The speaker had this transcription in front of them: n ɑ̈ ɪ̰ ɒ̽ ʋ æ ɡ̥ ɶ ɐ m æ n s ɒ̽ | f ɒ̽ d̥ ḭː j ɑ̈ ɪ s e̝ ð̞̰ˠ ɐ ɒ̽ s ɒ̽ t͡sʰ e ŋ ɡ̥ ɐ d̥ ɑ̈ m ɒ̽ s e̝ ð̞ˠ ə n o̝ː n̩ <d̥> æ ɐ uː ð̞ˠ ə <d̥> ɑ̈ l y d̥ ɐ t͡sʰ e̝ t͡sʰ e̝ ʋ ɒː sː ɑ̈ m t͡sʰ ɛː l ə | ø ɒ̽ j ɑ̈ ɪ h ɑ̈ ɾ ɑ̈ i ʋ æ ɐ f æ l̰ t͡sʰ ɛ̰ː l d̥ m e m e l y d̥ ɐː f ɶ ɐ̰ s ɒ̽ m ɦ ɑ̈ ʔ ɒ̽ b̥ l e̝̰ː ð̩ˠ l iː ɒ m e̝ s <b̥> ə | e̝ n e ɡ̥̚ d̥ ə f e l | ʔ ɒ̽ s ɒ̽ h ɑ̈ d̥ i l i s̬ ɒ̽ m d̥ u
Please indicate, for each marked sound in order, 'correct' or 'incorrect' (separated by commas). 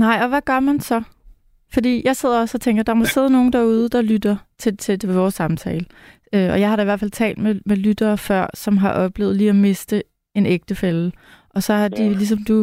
correct, correct, incorrect